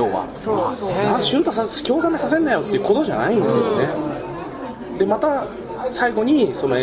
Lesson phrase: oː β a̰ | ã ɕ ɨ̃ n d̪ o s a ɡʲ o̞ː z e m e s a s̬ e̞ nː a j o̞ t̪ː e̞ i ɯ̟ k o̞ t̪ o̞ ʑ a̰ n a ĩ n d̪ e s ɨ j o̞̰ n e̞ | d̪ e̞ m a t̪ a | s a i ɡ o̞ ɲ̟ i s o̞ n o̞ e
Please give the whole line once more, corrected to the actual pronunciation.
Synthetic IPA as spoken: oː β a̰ | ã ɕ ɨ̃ n t̪ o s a kʲ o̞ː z a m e s a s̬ e̞ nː a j o̞ t̪ː e̞ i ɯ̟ k o̞ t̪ o̞ ʑ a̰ n a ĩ n d̪ e s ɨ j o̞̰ n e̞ | d̪ e̞ m a t̪ a | s a i ɡ o̞ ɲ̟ i s o̞ n o̞ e